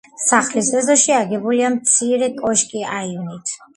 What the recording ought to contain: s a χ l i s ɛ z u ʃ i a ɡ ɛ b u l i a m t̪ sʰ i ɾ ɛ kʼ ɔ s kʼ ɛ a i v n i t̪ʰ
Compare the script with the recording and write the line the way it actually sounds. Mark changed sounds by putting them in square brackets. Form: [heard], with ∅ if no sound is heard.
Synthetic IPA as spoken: s a χ l i s ɛ z [ɔ] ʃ i a ɡ ɛ b u l i a m t̪ sʰ i ɾ ɛ kʼ ɔ [ʃ] kʼ [i] a i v n i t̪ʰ